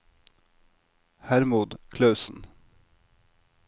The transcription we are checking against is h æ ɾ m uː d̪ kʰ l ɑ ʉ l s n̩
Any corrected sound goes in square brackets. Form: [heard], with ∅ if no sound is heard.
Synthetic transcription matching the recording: h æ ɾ m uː d̪ kʰ l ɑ ʉ [∅] s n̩